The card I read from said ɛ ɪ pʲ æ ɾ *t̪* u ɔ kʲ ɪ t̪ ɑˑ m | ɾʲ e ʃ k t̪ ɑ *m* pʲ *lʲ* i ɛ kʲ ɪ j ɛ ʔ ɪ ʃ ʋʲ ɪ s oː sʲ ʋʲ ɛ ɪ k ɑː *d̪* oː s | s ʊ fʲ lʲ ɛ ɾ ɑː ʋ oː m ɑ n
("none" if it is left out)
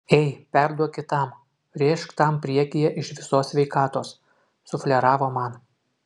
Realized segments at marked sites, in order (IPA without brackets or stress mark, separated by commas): d̪, m, ɾʲ, t̪